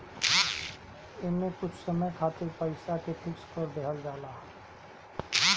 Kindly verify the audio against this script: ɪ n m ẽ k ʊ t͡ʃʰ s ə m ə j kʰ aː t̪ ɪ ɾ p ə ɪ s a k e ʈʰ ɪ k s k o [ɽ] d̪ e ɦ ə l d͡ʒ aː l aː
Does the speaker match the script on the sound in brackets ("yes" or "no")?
no